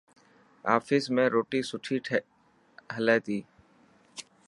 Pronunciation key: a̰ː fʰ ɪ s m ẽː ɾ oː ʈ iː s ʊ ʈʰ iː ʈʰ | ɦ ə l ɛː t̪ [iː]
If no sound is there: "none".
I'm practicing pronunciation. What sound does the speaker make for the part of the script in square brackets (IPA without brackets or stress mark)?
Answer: iː